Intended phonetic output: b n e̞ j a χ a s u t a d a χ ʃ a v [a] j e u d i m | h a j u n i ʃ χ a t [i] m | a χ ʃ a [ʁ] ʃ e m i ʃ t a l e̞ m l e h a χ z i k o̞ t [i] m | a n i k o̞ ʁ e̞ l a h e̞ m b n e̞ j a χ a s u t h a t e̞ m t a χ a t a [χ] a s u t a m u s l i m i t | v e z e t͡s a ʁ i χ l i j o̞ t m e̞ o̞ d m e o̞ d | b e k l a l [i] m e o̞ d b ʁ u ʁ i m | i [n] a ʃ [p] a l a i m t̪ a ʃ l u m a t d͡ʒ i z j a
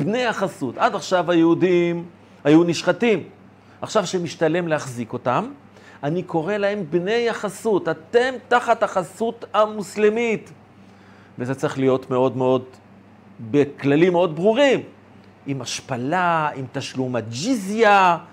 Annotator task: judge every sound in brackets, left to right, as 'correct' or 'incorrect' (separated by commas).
correct, correct, incorrect, incorrect, correct, correct, incorrect, correct